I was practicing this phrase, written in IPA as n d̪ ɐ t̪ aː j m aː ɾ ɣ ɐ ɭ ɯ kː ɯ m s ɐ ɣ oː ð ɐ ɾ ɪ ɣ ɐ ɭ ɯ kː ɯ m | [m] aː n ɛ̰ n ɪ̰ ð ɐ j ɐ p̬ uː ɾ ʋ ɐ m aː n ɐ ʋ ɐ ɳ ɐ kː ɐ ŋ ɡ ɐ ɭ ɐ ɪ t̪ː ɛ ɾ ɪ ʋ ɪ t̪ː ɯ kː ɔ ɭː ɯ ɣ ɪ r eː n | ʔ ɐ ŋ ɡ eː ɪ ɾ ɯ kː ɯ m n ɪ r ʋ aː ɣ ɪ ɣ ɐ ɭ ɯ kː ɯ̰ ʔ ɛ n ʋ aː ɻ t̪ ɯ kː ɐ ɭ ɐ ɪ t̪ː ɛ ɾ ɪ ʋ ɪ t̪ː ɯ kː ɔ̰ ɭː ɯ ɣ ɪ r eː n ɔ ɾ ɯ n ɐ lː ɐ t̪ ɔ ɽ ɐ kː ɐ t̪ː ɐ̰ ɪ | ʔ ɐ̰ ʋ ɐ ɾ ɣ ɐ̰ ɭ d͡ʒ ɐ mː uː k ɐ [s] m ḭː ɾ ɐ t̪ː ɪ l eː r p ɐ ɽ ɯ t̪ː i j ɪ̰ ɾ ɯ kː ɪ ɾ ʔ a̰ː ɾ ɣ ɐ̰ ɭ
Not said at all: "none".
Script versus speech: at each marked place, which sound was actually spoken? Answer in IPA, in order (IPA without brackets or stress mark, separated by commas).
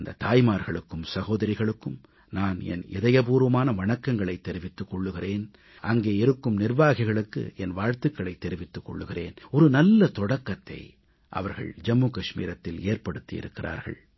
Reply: n, ʂ